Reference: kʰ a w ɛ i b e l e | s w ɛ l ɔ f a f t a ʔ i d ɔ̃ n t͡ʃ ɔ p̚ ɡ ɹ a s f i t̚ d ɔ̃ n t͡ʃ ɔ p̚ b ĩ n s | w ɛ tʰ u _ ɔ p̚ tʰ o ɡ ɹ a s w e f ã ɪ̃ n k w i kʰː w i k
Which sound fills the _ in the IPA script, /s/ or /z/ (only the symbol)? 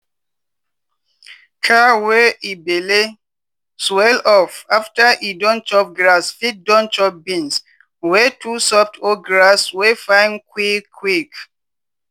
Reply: s